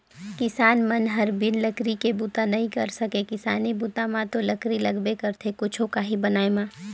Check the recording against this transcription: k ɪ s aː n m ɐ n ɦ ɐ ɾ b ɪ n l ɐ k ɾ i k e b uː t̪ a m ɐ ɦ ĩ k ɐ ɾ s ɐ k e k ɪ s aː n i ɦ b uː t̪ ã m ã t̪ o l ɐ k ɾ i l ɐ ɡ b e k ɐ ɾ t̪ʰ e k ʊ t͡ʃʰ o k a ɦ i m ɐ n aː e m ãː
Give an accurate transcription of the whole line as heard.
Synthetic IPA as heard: k ɪ s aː n m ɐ n ɦ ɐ ɾ b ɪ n l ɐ k ɾ i k e b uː t̪ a n ɐ ɦ ĩ k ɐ ɾ s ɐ k e k ɪ s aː n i b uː t̪ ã m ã t̪ o l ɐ k ɾ i l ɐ ɡ b e k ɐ ɾ t̪ʰ e k ʊ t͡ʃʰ o k a ɦ i b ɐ n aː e m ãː